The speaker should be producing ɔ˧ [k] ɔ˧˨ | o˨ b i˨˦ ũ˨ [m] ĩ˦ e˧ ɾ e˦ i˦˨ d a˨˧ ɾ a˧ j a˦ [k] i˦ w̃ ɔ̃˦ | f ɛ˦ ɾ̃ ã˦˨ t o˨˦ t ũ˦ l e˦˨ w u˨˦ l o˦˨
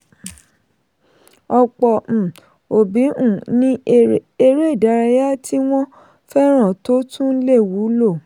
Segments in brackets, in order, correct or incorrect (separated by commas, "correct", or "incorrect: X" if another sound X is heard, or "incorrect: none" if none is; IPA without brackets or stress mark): incorrect: k͡p, incorrect: n, incorrect: t